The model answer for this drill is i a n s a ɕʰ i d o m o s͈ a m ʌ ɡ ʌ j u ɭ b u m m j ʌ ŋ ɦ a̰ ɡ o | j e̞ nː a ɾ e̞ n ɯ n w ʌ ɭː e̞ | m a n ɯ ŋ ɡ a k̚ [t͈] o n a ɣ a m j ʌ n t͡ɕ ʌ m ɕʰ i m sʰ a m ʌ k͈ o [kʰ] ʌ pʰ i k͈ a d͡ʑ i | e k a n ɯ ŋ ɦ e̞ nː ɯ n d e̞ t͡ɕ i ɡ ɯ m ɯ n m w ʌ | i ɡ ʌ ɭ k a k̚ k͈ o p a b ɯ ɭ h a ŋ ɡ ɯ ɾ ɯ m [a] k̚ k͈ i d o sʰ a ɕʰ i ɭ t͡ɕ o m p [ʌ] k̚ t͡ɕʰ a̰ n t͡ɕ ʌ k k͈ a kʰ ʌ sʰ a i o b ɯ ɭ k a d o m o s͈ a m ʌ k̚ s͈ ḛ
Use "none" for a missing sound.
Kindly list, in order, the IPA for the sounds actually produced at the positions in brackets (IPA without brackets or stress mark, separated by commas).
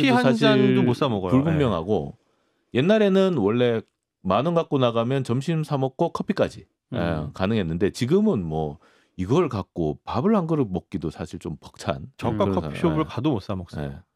k͈, kʰ, ʌ, ʌ